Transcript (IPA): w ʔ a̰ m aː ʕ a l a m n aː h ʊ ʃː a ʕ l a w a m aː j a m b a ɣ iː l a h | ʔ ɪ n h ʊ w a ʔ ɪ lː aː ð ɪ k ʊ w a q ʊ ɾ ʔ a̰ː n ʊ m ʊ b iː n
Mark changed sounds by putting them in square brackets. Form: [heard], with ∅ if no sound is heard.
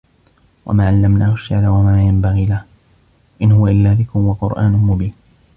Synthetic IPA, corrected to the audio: w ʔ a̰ m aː ʕ a [lː] a m n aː h ʊ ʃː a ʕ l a w a m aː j a m b a ɣ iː l a h | ʔ ɪ n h ʊ w a ʔ ɪ lː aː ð ɪ k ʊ w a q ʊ ɾ ʔ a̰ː n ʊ m ʊ b iː n

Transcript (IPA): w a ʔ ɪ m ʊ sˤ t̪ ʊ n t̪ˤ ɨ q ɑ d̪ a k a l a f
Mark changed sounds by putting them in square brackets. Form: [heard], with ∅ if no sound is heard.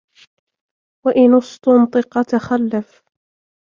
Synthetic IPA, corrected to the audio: w a ʔ ɪ [n] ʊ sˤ t̪ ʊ n t̪ˤ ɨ q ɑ [t̪] a [x] a [lː] a f

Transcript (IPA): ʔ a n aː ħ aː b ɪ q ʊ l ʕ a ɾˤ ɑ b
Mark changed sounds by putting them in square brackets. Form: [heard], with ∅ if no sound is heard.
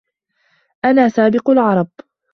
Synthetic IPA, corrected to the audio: ʔ a n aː [s] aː b ɪ q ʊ l ʕ [ɑ] ɾˤ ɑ b

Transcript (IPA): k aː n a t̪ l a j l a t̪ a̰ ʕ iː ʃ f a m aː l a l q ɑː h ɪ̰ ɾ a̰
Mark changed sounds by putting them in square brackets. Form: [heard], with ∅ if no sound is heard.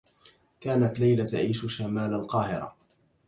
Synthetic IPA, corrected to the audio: k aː n a t̪ l a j l a t̪ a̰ ʕ iː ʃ [ʃ] a m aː l a l q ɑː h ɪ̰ ɾ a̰

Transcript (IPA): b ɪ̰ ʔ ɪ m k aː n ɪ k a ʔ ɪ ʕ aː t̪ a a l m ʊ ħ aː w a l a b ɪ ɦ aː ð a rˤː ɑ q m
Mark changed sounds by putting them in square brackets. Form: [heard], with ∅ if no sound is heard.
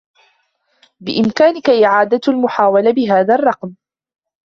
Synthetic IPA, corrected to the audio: b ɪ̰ ʔ ɪ m k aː n ɪ k a ʔ ɪ ʕ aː [d̪] a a l m ʊ ħ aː w a l a b ɪ ɦ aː ð a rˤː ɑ q m

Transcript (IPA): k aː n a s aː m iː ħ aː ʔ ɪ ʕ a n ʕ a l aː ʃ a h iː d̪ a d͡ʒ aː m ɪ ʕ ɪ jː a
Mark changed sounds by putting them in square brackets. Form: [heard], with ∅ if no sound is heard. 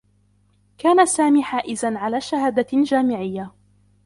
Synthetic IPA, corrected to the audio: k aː n a s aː m iː ħ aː ʔ ɪ [z] a n ʕ a l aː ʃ a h [aː] d̪ a d͡ʒ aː m ɪ ʕ ɪ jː a

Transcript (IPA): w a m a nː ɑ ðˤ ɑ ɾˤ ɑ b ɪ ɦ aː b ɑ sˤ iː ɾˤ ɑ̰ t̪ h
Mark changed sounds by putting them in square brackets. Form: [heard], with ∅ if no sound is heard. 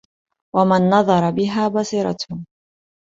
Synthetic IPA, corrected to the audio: w a m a nː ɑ ðˤ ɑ ɾˤ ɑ b ɪ ɦ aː b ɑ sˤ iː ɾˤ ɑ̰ t̪ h

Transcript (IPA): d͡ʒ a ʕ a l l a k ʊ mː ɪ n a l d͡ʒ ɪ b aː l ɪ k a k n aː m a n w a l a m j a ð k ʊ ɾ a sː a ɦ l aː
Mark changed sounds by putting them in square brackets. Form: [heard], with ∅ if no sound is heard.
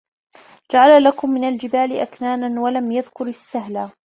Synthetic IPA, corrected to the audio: d͡ʒ a ʕ a l l a k ʊ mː ɪ n a l d͡ʒ ɪ b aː l ɪ [ʔ] a k n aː [n] a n w a l a m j a ð k ʊ ɾ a sː a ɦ l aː

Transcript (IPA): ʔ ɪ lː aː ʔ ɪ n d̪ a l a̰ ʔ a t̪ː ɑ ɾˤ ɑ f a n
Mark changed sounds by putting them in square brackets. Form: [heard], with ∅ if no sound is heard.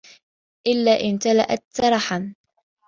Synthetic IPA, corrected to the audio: ʔ ɪ lː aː ʔ ɪ n [t̪] a l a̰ ʔ a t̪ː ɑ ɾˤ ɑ [ħ] a n

